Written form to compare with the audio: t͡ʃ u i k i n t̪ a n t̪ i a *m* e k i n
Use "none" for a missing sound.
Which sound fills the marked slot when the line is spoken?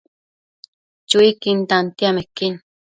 m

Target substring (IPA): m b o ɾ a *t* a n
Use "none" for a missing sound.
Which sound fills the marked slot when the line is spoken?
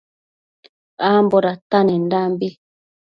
t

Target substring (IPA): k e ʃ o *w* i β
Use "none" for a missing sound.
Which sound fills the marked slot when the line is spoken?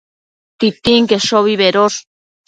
β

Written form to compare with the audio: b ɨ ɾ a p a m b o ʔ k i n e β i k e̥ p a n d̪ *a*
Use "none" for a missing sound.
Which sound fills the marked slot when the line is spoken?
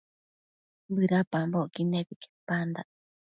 a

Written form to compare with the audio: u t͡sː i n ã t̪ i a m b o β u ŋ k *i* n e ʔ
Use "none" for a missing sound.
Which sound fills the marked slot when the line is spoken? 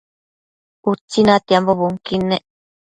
i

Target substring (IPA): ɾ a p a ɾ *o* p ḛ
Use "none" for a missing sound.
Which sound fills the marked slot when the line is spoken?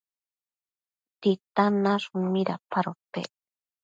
o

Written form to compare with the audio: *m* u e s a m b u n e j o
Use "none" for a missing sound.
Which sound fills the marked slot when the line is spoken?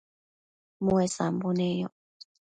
m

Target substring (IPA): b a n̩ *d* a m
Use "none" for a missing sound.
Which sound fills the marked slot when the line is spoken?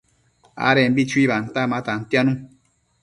t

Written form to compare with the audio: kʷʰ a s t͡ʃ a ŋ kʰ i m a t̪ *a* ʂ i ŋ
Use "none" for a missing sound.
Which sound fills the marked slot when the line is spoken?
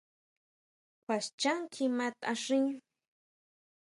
a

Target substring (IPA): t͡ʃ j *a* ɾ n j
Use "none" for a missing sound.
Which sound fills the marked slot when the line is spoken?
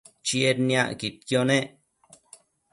e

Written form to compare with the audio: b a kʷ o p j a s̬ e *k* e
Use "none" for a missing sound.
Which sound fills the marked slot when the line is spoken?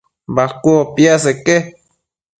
k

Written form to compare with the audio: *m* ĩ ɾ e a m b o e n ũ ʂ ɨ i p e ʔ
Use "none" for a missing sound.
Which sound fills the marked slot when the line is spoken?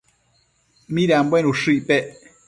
m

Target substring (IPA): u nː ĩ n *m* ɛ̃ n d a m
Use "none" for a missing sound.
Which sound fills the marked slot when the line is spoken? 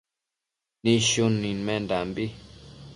m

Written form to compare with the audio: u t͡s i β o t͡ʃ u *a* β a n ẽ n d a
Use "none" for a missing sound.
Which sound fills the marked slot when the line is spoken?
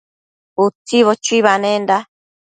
i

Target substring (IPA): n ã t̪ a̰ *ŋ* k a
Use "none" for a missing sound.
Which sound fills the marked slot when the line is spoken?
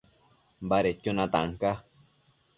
ŋ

